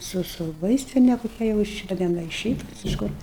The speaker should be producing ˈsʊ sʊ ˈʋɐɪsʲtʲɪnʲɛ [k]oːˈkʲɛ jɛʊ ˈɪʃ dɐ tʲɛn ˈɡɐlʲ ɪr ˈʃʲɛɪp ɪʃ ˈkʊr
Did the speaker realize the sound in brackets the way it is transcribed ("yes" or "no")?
yes